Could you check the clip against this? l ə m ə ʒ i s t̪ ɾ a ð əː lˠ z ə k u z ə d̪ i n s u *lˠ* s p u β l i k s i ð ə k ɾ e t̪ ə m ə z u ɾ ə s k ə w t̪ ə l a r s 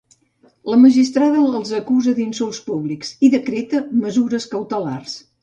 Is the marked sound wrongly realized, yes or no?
no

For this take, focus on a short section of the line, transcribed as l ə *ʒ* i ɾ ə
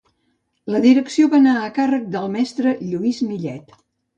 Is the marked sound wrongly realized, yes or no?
yes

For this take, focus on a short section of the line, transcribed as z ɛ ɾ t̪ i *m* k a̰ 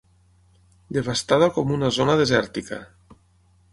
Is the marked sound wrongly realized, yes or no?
yes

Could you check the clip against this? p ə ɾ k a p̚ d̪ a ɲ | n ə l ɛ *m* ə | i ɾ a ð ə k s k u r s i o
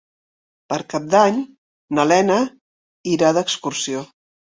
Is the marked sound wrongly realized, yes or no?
yes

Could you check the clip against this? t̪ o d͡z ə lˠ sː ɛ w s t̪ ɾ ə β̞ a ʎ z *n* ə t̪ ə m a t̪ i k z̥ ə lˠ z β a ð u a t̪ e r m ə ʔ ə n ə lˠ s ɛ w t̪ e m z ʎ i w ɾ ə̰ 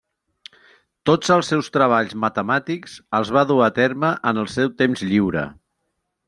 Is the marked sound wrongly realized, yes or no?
yes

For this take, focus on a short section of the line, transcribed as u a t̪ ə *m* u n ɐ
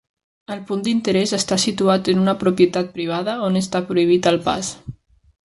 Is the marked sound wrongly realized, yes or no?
yes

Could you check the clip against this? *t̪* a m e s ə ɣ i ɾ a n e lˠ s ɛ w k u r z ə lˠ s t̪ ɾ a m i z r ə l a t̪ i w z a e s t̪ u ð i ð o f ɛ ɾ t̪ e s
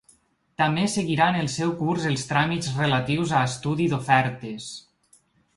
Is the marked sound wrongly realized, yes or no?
no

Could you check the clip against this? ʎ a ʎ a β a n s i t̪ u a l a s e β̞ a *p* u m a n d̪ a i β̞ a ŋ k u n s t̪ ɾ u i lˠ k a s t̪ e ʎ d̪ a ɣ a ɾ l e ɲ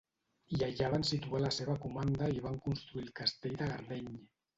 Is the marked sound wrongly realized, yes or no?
yes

